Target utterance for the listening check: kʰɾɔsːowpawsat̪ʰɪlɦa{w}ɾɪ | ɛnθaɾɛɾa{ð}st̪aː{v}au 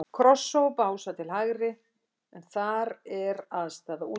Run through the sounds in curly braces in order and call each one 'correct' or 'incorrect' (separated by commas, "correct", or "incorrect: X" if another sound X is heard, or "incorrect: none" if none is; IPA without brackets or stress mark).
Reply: incorrect: ɣ, correct, incorrect: ð